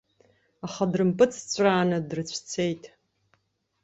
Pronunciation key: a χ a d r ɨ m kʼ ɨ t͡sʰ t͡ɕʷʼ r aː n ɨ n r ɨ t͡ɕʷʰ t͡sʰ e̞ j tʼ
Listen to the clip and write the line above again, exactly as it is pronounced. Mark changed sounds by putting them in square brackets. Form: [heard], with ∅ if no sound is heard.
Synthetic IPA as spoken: a χ a d r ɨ m [pʼ] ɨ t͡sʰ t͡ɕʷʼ r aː n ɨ [d] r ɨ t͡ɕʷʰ t͡sʰ e̞ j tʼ